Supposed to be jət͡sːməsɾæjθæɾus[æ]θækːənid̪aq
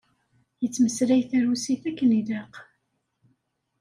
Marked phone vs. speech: incorrect: i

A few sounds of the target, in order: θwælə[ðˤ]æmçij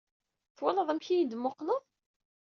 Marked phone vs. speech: correct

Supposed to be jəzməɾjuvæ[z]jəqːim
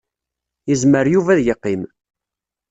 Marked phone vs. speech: incorrect: ð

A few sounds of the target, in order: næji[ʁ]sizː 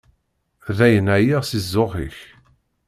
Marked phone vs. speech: correct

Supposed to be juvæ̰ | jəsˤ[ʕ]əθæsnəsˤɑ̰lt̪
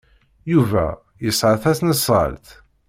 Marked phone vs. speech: correct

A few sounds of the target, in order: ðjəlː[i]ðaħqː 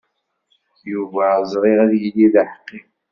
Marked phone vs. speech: correct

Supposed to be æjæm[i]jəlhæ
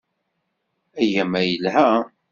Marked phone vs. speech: incorrect: æ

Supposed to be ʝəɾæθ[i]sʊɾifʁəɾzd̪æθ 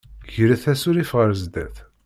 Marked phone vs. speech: incorrect: æ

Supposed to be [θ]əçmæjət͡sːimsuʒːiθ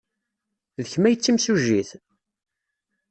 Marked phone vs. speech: incorrect: ð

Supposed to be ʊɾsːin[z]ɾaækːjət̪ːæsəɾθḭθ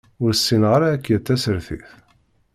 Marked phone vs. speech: incorrect: ʁ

